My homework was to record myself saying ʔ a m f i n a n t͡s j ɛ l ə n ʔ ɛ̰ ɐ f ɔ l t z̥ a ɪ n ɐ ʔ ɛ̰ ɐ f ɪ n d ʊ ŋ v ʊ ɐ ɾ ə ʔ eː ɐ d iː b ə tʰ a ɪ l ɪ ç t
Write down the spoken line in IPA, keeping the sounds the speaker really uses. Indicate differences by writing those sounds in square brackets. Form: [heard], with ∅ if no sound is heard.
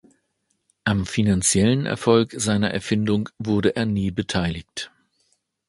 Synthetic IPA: ʔ a m f i n a n t͡s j ɛ l ə n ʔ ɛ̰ ɐ f ɔ l [k] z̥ a ɪ n ɐ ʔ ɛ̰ ɐ f ɪ n d ʊ ŋ v ʊ ɐ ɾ ə ʔ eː ɐ [n] iː b ə tʰ a ɪ l ɪ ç t